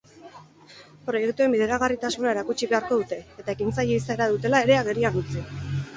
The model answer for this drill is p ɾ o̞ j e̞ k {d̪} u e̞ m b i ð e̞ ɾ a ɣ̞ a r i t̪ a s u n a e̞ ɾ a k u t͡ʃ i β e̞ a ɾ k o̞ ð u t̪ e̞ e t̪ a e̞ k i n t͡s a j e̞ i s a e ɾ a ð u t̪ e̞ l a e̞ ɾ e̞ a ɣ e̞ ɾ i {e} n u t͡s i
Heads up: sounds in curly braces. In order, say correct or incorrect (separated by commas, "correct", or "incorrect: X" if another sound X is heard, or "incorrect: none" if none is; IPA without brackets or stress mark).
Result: incorrect: t̪, incorrect: a